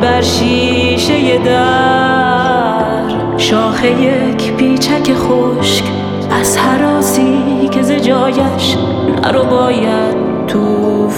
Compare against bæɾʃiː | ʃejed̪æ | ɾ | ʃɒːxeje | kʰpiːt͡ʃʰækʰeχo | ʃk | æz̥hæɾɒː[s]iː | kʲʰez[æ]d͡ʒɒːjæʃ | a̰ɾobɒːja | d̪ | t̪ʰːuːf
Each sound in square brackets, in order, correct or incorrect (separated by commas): correct, incorrect